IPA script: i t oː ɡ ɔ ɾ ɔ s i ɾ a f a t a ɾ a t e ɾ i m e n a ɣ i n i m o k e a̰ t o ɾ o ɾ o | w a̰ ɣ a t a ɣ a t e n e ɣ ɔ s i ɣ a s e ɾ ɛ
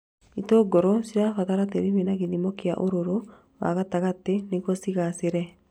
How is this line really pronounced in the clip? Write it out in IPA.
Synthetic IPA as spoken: i t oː ɡ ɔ ɾ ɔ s i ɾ a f a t a ɾ a t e ɾ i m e n a ɣ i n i m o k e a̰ ʔ o ɾ o ɾ o | w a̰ ɣ a t a ɣ a t e n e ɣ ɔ s i ɣ a s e ɾ ɛ